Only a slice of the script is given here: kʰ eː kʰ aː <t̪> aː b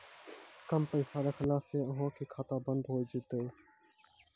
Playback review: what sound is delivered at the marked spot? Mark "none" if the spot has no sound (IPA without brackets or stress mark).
t̪